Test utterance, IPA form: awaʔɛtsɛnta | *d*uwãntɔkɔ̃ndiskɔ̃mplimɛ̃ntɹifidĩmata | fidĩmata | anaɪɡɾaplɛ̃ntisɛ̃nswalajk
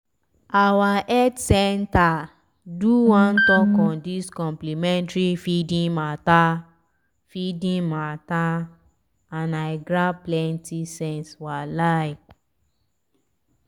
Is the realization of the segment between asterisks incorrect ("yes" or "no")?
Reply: no